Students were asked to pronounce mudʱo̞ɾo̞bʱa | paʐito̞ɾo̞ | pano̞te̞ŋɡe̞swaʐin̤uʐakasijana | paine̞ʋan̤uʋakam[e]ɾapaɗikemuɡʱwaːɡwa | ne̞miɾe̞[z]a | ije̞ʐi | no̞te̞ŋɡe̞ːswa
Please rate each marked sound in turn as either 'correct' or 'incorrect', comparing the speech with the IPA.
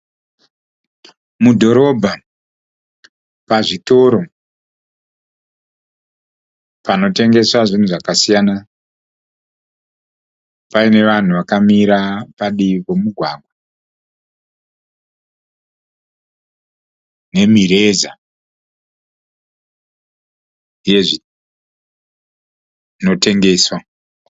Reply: incorrect: i, correct

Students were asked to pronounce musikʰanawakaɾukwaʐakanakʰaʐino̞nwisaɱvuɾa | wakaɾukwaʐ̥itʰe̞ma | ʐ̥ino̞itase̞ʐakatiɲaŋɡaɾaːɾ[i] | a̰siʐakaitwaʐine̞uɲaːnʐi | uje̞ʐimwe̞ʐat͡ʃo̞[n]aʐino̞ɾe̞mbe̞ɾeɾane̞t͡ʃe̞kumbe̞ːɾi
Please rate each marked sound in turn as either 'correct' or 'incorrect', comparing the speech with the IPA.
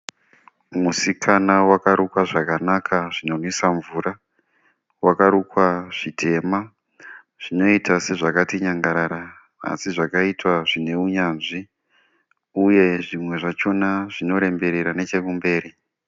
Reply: incorrect: a, correct

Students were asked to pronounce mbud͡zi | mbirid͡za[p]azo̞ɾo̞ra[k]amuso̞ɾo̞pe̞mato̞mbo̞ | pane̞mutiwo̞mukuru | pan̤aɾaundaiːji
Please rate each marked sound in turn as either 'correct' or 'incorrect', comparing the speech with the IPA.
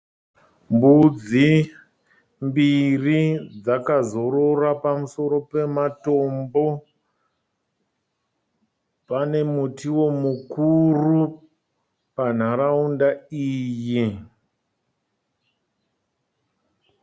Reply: incorrect: k, incorrect: p

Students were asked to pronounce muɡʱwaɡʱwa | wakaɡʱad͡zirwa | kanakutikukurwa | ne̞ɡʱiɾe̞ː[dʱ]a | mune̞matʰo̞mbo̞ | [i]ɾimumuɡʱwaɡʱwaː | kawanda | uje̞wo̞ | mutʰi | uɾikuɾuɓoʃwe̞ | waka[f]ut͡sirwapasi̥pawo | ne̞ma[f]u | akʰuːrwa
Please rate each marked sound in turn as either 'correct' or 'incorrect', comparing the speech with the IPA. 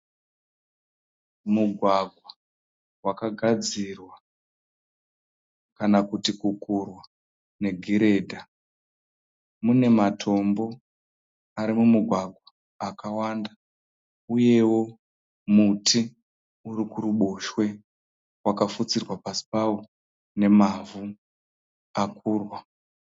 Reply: correct, incorrect: a, correct, incorrect: v

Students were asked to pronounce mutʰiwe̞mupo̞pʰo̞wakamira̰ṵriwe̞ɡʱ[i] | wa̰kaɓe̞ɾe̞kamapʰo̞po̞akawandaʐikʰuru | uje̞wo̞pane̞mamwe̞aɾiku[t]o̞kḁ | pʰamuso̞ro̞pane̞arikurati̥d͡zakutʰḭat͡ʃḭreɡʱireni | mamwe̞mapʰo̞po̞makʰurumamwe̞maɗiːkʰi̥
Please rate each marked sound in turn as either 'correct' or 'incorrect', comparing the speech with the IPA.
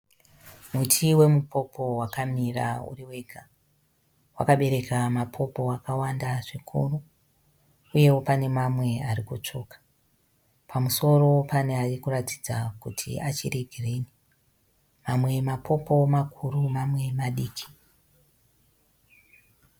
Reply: incorrect: a, incorrect: t͡ʂ

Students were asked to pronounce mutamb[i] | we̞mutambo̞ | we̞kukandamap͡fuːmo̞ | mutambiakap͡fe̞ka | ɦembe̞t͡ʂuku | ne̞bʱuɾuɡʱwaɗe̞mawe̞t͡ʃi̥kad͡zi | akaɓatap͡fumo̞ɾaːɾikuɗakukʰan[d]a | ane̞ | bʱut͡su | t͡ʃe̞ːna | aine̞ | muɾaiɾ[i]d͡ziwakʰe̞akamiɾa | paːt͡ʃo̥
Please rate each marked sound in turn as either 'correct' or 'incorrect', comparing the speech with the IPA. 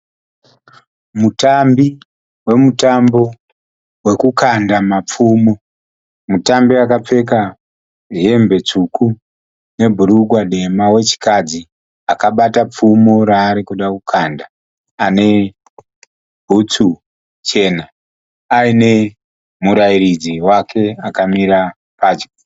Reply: correct, correct, correct

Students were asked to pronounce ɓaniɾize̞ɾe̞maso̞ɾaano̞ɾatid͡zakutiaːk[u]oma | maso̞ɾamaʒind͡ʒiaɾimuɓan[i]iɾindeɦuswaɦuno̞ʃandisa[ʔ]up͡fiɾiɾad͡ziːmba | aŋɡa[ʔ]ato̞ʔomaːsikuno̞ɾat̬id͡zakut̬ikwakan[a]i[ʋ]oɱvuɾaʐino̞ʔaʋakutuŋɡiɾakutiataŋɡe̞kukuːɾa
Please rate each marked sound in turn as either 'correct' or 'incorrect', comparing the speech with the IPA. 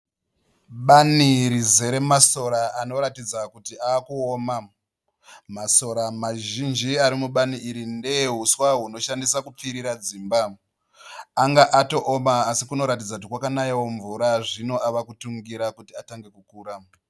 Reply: correct, correct, incorrect: k, correct, correct, incorrect: w

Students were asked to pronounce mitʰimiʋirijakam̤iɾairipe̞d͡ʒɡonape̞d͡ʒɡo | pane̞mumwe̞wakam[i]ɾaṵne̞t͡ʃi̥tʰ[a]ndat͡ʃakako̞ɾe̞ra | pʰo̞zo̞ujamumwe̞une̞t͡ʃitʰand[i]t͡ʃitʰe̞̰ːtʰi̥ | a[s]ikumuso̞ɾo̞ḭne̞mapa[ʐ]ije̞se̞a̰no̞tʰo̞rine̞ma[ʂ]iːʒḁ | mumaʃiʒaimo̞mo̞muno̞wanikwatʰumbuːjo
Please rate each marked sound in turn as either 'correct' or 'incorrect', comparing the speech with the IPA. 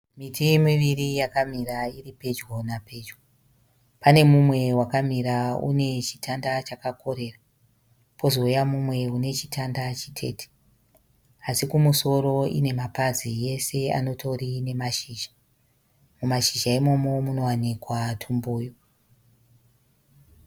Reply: correct, correct, incorrect: a, correct, incorrect: z, incorrect: ʃ

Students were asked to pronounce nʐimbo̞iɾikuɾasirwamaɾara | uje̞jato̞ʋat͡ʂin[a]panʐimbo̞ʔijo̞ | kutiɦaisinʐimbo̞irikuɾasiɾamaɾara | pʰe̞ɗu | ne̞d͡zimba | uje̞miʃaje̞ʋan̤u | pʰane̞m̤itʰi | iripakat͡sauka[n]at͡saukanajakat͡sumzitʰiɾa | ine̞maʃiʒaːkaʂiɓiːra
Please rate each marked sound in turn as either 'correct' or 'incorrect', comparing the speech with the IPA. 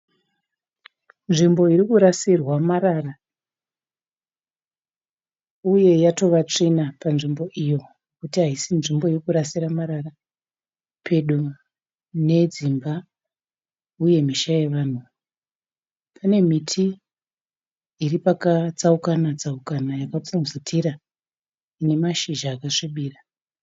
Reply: correct, correct

